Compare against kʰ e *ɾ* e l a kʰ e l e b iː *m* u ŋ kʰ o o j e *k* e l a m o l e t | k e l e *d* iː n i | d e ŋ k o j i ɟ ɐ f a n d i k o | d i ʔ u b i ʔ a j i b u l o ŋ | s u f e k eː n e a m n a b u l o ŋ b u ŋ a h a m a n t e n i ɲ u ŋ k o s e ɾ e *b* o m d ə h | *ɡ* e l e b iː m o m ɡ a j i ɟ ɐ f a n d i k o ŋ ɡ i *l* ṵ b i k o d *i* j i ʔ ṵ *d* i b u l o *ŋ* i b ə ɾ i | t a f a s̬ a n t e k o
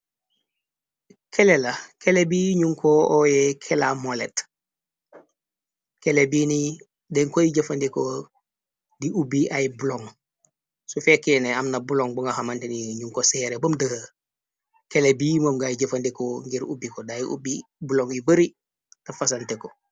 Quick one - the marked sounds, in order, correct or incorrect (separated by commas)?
incorrect, incorrect, incorrect, incorrect, correct, incorrect, incorrect, incorrect, incorrect, correct